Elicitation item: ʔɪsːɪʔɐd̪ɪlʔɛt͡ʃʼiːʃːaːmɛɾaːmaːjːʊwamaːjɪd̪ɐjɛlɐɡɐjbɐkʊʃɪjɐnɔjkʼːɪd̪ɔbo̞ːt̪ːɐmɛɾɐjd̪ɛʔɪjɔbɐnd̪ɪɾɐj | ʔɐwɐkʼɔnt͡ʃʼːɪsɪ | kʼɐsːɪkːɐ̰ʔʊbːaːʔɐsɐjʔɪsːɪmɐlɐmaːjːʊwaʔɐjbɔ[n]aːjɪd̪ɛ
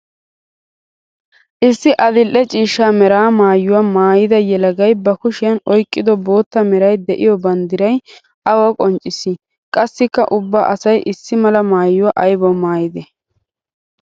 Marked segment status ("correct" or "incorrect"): incorrect